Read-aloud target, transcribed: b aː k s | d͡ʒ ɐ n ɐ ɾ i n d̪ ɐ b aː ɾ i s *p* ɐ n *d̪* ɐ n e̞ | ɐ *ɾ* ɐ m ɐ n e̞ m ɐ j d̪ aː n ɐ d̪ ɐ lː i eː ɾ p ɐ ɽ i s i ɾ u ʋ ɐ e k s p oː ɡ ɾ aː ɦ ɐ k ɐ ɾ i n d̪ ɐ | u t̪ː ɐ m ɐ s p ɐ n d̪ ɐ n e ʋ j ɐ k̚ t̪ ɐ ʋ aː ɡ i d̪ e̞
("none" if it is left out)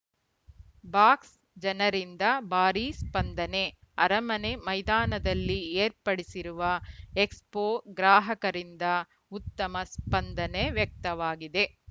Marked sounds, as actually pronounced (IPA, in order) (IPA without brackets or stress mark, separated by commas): p, d̪, ɾ